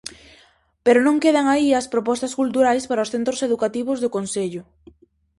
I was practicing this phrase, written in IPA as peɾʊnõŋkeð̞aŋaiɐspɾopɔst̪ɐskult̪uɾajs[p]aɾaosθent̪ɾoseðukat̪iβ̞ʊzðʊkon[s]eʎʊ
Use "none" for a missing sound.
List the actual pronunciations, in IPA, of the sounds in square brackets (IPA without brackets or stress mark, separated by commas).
p, s